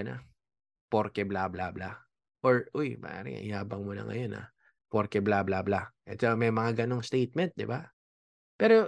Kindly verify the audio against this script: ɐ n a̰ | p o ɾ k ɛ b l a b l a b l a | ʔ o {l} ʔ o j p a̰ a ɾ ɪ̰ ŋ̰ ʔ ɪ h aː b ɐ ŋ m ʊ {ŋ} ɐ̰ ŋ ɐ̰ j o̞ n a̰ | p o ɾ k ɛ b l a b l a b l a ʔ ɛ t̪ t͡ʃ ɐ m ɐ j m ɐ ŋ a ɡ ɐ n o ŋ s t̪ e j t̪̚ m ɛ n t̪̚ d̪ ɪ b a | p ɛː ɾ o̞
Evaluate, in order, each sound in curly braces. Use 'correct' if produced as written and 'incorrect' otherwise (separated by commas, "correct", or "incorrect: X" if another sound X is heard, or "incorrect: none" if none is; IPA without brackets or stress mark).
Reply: incorrect: ɹ, incorrect: n